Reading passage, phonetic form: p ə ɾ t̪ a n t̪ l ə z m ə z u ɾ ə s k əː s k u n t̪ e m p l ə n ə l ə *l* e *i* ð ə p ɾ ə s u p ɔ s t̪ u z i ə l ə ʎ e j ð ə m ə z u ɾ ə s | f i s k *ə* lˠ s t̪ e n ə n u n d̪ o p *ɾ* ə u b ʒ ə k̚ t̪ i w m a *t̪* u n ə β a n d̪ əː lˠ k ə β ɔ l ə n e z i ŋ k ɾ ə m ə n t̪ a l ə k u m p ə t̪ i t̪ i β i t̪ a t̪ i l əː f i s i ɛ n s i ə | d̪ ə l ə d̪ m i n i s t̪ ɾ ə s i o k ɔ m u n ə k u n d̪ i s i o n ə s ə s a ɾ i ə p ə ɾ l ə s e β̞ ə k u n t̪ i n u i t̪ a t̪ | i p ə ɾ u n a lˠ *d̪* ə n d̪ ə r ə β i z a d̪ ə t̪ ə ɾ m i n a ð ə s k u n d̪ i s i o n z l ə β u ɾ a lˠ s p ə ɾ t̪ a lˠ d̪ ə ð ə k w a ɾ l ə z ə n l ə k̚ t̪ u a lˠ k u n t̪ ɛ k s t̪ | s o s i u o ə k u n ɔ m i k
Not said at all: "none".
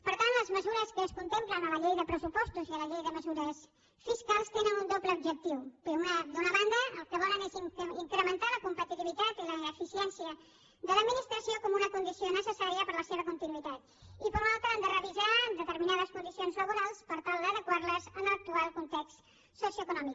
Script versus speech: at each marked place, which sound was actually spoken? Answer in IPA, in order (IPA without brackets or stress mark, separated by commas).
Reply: ʎ, j, a, l, d̪, t̪